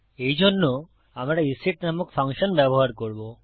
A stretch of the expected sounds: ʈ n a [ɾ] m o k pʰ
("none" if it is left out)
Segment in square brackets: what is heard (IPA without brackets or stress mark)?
none